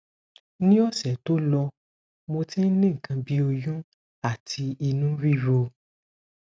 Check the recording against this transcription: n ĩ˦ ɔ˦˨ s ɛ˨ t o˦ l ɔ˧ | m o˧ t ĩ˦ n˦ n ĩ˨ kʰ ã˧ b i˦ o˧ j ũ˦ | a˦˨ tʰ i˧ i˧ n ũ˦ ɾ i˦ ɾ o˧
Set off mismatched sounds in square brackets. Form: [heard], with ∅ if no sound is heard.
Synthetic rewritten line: n ĩ˦ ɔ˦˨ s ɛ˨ t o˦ l ɔ˧ | m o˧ t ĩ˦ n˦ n [ĩ˦˨] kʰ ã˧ b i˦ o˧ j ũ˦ | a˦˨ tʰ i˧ i˧ n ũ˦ ɾ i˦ ɾ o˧

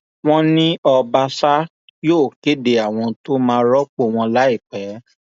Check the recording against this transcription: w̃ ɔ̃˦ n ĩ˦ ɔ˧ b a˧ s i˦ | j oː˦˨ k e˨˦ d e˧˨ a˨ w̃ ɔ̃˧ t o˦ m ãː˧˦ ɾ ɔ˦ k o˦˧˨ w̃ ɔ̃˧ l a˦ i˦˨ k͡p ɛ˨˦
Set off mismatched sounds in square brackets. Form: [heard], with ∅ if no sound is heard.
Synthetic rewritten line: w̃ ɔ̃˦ n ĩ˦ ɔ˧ b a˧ s [a˦] | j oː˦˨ k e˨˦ d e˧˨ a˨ w̃ ɔ̃˧ t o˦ m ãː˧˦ ɾ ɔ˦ [k͡p] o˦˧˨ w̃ ɔ̃˧ l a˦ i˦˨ k͡p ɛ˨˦

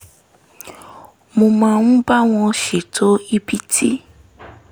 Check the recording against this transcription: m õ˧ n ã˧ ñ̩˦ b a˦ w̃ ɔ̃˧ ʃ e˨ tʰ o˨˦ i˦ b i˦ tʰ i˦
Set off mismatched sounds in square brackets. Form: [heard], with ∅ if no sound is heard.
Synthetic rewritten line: m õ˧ [m] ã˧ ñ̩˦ b a˦ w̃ ɔ̃˧ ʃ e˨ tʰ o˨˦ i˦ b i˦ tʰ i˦

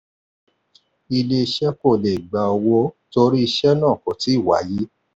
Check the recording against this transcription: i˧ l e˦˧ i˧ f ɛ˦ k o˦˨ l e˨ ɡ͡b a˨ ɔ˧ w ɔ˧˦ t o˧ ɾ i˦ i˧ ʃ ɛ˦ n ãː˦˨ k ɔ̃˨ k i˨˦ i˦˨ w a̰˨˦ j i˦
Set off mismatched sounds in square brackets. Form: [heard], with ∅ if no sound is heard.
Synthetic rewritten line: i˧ l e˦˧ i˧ [ʃ] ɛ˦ k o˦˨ l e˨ ɡ͡b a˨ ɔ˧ w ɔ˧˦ t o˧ ɾ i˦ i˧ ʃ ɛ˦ n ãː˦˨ k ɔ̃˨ [t] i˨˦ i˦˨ w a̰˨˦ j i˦

